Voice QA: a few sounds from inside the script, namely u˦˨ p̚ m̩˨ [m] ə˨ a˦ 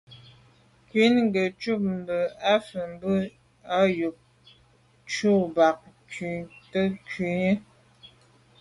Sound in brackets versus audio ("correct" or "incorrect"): incorrect